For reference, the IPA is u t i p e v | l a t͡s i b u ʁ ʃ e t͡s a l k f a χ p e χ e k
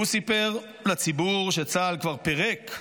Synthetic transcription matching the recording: u s i p e ʁ | l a t͡s i b u ʁ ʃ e t͡s a l k v a ʁ p e ʁ e k